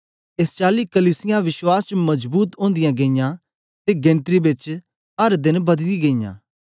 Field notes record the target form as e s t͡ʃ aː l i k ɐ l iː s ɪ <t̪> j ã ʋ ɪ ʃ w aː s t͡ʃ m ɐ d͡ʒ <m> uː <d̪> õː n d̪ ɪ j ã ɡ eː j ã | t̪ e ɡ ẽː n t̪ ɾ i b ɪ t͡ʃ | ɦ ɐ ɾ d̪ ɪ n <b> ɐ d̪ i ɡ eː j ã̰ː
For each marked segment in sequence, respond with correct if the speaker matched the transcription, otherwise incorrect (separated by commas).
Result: incorrect, incorrect, incorrect, correct